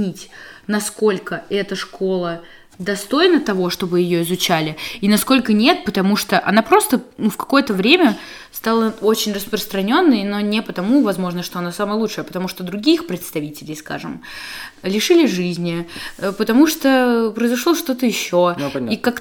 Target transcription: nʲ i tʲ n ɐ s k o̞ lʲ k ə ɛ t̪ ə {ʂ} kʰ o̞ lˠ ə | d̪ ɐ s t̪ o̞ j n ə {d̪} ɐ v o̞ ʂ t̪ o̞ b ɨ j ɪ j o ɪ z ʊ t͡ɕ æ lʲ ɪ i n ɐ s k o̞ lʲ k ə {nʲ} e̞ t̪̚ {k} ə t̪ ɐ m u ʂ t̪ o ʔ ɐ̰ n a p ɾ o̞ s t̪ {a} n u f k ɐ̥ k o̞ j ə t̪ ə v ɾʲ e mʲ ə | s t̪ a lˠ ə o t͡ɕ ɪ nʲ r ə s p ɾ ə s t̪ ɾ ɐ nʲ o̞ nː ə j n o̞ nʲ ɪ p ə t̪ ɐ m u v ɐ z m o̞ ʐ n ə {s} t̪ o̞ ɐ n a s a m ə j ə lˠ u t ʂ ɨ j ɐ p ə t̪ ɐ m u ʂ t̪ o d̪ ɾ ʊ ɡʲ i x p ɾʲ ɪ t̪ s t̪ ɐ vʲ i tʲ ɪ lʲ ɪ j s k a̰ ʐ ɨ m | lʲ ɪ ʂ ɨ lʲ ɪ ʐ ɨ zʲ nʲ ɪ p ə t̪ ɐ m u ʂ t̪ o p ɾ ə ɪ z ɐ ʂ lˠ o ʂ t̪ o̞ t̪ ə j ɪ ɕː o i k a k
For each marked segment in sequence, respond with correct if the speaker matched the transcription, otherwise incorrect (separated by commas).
correct, incorrect, correct, incorrect, incorrect, incorrect